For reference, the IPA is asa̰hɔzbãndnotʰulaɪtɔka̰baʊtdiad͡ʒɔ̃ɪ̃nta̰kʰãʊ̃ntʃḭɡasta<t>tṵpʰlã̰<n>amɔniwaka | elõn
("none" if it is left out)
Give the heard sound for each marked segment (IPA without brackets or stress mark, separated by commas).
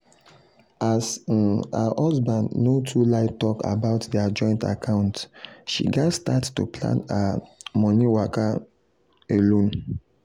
t, n